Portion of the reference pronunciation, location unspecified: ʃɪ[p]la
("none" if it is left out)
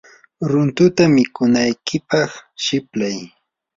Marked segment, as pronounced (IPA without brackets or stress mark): p